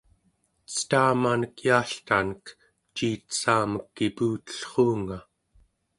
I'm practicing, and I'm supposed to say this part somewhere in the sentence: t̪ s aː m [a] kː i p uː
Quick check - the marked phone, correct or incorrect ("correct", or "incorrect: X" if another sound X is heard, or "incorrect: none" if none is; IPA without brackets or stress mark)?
incorrect: ə